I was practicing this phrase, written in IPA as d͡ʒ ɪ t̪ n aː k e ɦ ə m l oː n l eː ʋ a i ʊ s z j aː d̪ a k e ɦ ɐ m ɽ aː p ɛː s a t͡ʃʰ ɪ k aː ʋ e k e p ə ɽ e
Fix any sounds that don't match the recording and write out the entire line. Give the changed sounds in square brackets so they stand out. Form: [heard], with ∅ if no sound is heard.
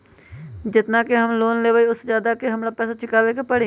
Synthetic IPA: d͡ʒ ɪ t̪ n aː k e ɦ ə m l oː n l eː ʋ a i ʊ s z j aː d̪ a k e ɦ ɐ m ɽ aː p ɛː s a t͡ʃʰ ɪ k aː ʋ e k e p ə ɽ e

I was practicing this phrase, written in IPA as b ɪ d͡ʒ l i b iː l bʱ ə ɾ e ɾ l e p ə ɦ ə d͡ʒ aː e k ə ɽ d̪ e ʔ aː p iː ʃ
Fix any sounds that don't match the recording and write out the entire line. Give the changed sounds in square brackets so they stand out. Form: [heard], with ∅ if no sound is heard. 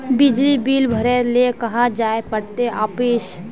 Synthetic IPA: b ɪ d͡ʒ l i b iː l bʱ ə ɾ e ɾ l e [k] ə ɦ [a] d͡ʒ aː e [p] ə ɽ [t̪] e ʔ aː p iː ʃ

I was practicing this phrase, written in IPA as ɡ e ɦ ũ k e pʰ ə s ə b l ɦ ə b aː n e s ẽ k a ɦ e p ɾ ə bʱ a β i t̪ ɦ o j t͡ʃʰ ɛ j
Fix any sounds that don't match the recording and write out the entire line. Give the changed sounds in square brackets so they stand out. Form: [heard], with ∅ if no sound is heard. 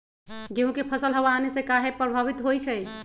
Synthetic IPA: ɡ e ɦ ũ k e pʰ ə s ə [∅] l ɦ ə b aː n e s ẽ k a ɦ e p ɾ ə bʱ a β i t̪ ɦ o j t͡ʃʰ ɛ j

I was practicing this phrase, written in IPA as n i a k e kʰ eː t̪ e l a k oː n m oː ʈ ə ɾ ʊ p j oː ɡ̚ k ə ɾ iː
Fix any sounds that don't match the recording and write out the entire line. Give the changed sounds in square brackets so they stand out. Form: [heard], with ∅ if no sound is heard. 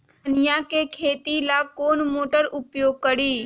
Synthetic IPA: n [j] a k e kʰ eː t̪ [i] l a k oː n m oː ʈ ə ɾ ʊ p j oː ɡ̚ k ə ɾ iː

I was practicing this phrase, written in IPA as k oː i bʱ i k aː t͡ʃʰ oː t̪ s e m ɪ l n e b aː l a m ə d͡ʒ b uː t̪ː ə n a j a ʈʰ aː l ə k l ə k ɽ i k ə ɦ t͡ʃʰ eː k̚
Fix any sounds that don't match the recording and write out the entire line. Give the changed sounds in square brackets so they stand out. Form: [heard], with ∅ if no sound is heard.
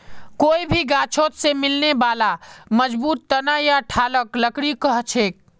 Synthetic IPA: k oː i bʱ i [ɡ] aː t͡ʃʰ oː t̪ s e m ɪ l n e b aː l a m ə d͡ʒ b uː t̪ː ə n a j a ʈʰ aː l ə k l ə k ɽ i k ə ɦ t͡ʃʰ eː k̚

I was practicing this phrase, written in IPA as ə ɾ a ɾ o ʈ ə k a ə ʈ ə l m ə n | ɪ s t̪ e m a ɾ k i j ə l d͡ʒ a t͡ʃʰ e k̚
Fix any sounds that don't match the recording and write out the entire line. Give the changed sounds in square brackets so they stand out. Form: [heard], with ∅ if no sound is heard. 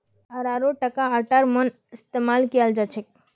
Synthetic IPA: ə ɾ a ɾ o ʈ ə k a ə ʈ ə [ɾ] m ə n | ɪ s t̪ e m a [l] k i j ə l d͡ʒ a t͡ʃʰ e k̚

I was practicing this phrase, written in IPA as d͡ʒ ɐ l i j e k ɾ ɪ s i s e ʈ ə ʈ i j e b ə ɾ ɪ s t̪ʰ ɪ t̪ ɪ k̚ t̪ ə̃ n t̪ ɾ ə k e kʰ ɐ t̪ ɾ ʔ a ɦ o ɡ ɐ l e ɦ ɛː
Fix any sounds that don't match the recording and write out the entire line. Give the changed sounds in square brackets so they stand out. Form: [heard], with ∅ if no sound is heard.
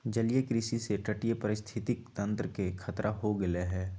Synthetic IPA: d͡ʒ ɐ l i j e k ɾ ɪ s i s e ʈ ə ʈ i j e [p] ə ɾ ɪ s t̪ʰ ɪ t̪ ɪ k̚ t̪ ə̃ n t̪ ɾ ə k e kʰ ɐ t̪ ɾ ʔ a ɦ o ɡ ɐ l e ɦ ɛː

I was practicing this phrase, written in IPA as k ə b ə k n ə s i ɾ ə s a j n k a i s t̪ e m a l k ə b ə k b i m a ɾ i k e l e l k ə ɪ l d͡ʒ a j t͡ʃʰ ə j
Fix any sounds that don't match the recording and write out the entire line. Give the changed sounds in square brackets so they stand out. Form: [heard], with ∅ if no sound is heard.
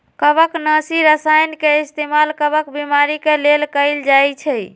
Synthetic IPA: k ə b ə k n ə s i ɾ ə s a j n k [e] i s t̪ e m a l k ə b ə k b i m a ɾ i k e l e l k ə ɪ l d͡ʒ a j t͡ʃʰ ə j

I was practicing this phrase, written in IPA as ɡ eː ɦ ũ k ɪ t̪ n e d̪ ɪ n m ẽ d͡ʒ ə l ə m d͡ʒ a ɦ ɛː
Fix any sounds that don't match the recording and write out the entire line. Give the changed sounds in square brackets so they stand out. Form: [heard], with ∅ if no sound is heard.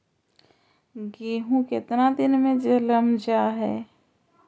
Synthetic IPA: ɡ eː ɦ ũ k ɪ t̪ n [a] d̪ ɪ n m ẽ d͡ʒ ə l ə m d͡ʒ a ɦ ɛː

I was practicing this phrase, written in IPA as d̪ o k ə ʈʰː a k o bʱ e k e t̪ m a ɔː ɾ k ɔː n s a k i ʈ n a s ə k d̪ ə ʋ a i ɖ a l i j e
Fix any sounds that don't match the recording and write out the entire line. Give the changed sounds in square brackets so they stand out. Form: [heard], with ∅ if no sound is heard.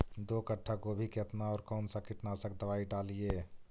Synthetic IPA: d̪ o k ə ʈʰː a k o bʱ [i] k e t̪ [n] a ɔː ɾ k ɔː n s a k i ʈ n a s ə k d̪ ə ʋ a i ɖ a l i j e

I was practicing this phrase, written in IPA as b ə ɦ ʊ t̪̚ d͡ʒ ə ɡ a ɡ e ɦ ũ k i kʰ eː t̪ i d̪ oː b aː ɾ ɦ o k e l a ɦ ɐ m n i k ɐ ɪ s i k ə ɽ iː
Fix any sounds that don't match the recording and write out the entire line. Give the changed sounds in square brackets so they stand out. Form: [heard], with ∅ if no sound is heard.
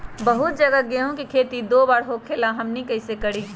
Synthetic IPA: b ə ɦ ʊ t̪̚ d͡ʒ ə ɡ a ɡ e ɦ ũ k i kʰ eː t̪ i d̪ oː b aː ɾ ɦ o [kʰ] e l a ɦ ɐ m n i k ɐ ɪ s [e] k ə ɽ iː

